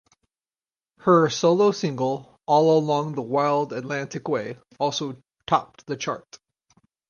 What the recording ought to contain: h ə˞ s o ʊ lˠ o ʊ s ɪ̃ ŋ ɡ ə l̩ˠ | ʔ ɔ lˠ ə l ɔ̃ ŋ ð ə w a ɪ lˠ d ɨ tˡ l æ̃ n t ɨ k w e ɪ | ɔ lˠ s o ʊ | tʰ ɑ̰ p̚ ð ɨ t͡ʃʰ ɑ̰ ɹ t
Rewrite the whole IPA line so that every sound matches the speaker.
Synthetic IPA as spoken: h ə˞ s o ʊ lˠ o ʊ s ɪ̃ ŋ ɡ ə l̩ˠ | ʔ ɔ lˠ ə l ɔ̃ ŋ ð ə w a ɪ lˠ d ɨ tˡ l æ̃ n t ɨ k w e ɪ | ɔ lˠ s o ʊ | tʰ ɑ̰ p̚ ð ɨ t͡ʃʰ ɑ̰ ɹ t